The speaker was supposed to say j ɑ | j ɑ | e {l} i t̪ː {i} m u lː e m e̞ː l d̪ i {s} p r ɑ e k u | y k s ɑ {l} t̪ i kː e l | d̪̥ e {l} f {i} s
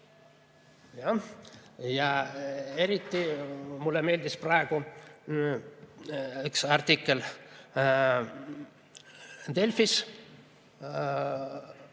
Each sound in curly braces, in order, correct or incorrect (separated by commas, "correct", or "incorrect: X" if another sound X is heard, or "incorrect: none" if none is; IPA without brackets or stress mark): incorrect: ɾ, correct, correct, incorrect: r, correct, correct